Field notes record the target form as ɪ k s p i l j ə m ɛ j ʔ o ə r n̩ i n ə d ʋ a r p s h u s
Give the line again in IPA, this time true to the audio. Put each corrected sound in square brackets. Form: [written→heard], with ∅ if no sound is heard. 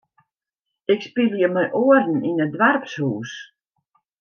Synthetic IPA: ɪ k s p i l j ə m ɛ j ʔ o ə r n̩ i n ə d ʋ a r p s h [u→uː] s